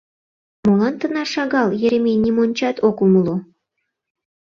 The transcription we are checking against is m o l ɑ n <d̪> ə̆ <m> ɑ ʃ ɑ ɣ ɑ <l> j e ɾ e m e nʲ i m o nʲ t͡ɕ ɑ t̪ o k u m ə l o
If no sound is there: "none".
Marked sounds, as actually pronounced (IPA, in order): t̪, n, l

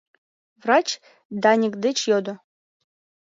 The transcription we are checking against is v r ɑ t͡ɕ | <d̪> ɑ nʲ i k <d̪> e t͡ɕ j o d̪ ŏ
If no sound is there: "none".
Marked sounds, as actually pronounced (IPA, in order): d̪, d̪

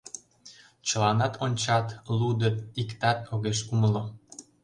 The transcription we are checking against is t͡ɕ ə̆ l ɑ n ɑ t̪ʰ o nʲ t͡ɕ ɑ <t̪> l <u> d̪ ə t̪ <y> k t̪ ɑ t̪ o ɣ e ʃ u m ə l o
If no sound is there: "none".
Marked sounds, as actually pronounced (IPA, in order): t̪, u, i

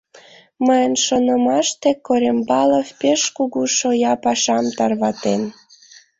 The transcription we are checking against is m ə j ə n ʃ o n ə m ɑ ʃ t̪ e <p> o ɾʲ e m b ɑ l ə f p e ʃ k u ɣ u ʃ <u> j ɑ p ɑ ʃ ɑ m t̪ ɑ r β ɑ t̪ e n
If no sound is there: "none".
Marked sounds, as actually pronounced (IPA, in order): k, o

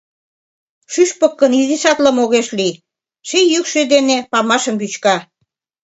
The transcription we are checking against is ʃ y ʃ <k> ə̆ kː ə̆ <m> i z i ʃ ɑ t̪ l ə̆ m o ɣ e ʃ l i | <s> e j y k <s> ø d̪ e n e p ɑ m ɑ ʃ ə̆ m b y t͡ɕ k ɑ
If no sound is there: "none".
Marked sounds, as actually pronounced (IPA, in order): p, n, ʃ, ʃ

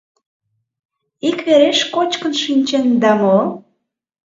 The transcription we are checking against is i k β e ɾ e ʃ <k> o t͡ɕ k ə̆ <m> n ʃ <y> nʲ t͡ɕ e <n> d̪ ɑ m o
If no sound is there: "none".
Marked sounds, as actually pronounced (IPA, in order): k, none, i, n

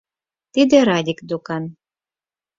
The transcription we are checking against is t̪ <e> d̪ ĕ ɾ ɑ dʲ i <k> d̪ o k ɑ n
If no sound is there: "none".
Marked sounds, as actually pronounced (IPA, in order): i, k

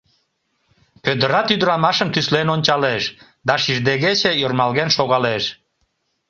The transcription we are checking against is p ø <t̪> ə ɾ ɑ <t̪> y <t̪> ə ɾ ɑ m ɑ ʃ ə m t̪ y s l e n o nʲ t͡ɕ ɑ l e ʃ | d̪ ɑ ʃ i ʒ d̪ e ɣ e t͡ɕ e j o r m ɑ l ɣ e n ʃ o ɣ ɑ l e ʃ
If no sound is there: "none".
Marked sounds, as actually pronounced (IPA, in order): d̪, t̪, d̪

